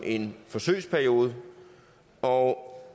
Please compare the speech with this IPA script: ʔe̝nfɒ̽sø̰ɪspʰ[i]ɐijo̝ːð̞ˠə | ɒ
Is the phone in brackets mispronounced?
yes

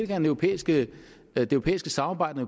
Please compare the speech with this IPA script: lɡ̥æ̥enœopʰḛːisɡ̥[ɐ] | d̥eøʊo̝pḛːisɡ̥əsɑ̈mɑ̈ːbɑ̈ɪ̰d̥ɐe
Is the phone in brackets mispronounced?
yes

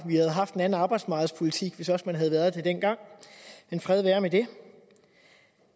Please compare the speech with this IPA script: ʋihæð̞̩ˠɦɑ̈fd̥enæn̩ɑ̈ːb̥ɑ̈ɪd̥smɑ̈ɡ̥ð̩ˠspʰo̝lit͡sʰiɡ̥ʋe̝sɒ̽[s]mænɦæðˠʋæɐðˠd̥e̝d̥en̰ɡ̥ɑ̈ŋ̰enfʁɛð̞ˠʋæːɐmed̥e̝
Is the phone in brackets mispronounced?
no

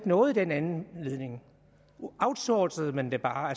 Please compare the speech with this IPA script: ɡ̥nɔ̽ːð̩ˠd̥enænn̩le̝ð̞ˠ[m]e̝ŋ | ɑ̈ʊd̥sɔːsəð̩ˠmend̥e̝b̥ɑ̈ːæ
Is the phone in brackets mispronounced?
yes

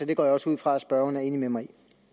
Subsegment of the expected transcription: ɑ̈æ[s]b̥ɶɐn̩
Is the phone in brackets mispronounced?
no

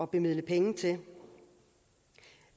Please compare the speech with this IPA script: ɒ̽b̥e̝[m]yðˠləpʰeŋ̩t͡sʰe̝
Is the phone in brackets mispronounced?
no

